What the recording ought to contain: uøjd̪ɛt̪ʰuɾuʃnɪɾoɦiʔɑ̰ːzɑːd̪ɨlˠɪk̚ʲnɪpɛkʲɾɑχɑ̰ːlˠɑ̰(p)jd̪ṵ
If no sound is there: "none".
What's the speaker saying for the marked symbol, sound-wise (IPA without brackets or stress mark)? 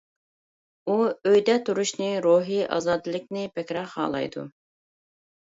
none